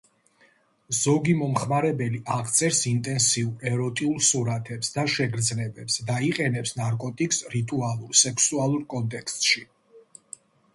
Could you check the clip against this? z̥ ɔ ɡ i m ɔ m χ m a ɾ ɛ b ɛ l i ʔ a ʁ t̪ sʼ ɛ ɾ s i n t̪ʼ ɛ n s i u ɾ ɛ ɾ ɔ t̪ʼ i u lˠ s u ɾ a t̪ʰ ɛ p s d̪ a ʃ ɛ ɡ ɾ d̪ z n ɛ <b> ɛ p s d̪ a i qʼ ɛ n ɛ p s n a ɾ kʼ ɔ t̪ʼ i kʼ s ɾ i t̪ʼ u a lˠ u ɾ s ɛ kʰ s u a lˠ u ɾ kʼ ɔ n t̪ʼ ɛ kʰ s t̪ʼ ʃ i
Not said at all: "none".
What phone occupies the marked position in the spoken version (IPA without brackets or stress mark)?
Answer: b